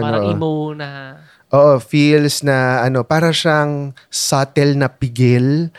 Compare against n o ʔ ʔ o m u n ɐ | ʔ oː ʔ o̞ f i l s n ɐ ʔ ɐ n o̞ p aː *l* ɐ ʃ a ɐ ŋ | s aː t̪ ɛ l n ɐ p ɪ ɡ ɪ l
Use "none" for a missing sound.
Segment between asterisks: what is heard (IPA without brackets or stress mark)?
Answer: ɾ